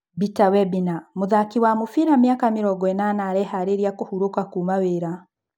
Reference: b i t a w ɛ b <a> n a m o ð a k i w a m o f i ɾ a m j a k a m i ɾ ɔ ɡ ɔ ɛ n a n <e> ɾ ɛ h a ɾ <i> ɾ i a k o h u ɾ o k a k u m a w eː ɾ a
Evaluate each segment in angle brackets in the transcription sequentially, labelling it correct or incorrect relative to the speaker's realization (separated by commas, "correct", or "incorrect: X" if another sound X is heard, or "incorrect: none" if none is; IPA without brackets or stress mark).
incorrect: i, incorrect: a, incorrect: e